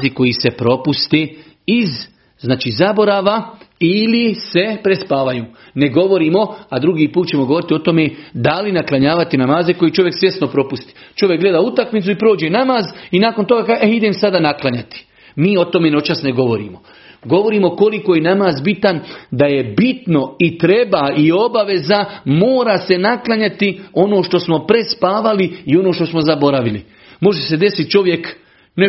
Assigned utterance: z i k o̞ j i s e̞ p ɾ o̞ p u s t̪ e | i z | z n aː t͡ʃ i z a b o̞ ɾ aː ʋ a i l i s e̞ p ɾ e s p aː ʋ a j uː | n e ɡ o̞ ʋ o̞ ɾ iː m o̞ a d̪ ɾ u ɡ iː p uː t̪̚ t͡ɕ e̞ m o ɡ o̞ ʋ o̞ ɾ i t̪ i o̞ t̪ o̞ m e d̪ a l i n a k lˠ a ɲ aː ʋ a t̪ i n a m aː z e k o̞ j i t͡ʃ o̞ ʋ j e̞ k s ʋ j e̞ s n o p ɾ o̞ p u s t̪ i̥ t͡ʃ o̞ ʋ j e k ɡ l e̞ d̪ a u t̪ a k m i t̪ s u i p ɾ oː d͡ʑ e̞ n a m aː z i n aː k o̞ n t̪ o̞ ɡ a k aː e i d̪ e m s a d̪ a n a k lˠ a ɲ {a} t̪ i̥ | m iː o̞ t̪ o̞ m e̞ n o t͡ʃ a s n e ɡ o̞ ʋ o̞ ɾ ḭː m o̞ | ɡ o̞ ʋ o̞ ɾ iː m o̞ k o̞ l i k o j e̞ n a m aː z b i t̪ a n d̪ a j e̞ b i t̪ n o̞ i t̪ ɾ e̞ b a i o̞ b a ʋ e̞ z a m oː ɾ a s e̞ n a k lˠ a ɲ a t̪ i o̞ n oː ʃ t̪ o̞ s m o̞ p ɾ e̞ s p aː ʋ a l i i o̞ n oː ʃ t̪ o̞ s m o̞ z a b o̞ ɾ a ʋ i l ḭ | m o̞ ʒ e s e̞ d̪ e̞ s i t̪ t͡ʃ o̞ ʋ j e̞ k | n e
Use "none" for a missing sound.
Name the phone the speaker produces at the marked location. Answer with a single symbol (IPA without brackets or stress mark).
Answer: a